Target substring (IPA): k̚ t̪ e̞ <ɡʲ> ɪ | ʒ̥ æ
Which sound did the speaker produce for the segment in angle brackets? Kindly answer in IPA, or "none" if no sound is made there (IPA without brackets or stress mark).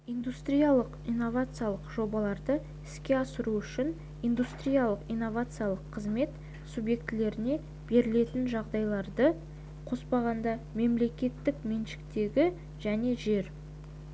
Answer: ɡʲ